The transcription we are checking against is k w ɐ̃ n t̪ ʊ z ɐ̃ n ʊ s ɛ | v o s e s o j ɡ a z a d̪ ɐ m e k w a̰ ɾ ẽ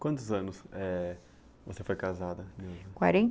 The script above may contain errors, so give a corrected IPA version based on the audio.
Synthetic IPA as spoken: k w ɐ̃ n t̪ ʊ z ɐ̃ n ʊ s ɛ | v o s e f o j k a z a d̪ ɐ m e k w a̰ ɾ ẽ